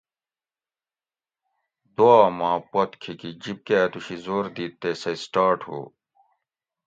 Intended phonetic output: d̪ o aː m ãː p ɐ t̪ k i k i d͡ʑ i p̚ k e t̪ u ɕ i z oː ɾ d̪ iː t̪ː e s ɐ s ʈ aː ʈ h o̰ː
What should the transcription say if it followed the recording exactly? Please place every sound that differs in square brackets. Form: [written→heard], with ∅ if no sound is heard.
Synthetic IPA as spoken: d̪ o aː m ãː p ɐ t̪ [k→kʰ] i k i d͡ʑ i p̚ k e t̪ u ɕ i z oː ɾ d̪ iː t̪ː e s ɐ s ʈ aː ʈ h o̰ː